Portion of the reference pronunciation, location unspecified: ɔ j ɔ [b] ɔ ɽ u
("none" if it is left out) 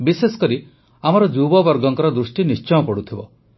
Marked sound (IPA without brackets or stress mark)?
p